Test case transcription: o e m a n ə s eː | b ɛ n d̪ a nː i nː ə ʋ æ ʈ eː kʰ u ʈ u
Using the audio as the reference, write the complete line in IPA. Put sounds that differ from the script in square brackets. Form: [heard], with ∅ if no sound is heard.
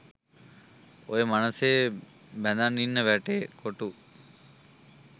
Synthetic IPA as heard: o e m a n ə s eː | b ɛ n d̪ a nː i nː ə ʋ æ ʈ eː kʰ [o] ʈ u